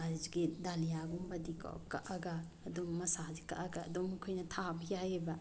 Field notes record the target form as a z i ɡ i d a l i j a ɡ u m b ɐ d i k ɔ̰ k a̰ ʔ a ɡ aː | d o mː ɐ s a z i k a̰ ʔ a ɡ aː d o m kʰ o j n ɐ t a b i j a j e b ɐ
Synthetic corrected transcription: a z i ɡ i d a l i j a ɡ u m b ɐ d i k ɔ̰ k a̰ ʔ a ɡ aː | d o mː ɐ s a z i k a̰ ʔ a ɡ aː d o m kʰ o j n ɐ tʰ a b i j a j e b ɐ